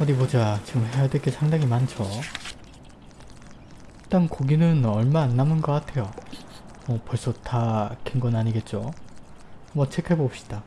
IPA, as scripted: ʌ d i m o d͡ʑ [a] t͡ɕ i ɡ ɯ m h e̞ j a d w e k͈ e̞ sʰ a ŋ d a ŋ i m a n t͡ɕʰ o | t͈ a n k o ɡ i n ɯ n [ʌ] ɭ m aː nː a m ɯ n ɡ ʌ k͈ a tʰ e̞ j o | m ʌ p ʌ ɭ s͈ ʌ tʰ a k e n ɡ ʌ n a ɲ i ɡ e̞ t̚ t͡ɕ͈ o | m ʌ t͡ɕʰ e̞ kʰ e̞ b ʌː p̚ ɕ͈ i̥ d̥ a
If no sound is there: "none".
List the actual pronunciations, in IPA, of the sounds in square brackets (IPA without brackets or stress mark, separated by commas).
a, ʌ